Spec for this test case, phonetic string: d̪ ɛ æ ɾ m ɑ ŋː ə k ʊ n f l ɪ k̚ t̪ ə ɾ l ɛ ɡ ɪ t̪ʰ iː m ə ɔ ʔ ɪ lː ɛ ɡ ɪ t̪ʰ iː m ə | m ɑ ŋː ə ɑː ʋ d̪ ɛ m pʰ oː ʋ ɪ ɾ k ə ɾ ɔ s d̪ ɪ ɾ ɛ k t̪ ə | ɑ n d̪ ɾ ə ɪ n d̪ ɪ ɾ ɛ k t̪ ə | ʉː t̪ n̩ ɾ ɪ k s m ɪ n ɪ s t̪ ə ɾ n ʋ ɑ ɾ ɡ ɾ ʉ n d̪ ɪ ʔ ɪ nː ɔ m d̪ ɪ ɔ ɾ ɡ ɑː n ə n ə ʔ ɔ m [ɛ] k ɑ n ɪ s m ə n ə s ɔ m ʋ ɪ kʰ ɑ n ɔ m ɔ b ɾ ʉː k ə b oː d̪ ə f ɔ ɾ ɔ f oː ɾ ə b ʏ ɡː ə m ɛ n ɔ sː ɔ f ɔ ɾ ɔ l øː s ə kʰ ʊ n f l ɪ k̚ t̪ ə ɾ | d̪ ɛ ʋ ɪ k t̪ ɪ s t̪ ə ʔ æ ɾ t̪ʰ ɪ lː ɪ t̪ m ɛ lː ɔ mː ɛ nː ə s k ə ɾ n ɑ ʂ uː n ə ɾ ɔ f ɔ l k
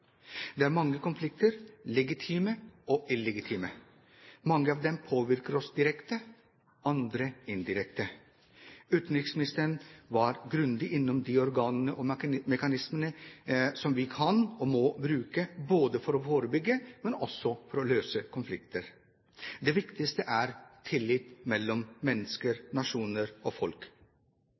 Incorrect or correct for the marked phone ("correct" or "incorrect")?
correct